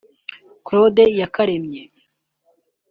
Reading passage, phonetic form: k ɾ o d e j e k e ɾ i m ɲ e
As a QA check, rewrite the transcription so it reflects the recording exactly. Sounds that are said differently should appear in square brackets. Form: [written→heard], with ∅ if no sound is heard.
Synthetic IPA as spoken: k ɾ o d e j [e→a] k [e→a] ɾ [i→e] m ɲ e